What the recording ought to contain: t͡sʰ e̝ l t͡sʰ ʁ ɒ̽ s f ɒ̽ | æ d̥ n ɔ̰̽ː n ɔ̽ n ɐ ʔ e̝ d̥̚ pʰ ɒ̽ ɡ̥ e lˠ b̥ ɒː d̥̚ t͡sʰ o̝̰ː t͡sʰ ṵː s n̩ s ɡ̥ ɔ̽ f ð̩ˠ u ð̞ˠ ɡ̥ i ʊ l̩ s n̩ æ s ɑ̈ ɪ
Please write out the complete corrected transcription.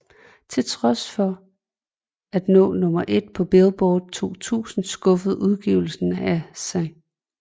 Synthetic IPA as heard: t͡sʰ e̝ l t͡sʰ ʁ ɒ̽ s f ɒ̽ | æ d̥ n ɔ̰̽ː n ɔ̽ m ɐ ʔ e̝ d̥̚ pʰ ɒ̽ b̥ e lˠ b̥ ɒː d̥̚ t͡sʰ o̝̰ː t͡sʰ ṵː s n̩ s ɡ̥ ɔ̽ f ð̩ˠ u ð̞ˠ ɡ̥ i ʊ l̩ s n̩ æ s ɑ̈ ɪ